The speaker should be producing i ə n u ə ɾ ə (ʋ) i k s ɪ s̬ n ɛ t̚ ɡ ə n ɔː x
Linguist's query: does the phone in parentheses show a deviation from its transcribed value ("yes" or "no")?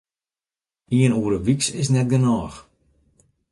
no